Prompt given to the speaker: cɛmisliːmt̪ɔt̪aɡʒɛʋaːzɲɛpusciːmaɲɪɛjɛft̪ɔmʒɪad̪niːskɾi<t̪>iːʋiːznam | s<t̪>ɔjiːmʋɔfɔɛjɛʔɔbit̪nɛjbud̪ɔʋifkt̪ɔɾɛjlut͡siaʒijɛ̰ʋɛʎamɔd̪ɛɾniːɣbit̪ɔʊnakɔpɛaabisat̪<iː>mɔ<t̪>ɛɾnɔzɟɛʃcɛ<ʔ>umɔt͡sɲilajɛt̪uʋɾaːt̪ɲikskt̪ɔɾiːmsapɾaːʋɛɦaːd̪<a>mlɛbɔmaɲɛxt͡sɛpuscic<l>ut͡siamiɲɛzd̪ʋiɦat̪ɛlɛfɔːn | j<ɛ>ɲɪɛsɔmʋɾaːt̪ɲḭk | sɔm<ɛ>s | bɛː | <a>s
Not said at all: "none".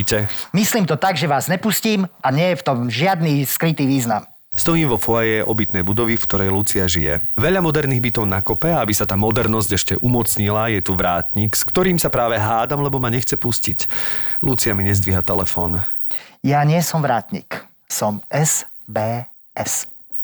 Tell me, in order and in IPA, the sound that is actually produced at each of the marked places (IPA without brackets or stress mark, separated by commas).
t̪, t̪, aː, d̪, ʔ, a, l, a, ɛ, ɛ